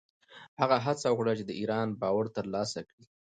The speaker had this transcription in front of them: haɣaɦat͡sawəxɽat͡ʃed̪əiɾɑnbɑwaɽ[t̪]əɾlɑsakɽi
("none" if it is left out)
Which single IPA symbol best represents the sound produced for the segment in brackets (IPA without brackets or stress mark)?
t̪